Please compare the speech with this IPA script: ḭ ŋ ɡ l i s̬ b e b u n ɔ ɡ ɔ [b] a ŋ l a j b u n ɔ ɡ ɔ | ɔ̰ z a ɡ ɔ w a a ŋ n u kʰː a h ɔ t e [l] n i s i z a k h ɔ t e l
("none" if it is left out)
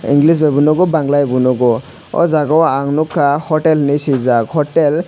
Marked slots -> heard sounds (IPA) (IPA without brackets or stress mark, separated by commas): b, l